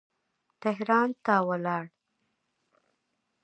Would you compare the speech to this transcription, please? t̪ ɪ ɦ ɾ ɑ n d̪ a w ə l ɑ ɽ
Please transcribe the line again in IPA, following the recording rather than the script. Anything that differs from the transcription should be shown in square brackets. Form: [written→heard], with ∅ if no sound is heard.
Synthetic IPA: t̪ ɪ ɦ ɾ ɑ n [d̪→t̪] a w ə l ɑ ɽ